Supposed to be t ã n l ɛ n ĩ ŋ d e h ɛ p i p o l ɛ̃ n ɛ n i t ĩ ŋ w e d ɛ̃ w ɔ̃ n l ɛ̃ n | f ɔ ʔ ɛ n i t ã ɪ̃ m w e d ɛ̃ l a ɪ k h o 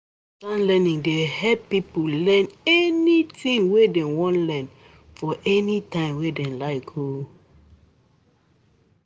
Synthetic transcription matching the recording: t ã n l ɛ n ĩ ŋ d e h ɛ p i p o l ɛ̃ n ɛ n i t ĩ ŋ w e d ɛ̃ w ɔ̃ n l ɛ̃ n | f ɔ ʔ ɛ n i t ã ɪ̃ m w e d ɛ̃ l a ɪ k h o